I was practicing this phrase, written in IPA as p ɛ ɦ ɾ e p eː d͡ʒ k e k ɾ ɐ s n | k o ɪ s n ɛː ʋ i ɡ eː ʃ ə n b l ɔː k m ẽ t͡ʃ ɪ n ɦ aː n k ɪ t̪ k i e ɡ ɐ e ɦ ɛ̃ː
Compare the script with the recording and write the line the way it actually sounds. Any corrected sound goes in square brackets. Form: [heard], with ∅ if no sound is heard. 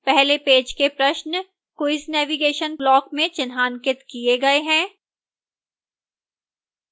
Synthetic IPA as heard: p ɛ ɦ [l] e p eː d͡ʒ k e [p] ɾ ɐ [ʃ] n | k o ɪ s n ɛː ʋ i ɡ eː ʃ ə n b l ɔː k m ẽ t͡ʃ ɪ n ɦ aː n k ɪ t̪ k i e ɡ ɐ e ɦ ɛ̃ː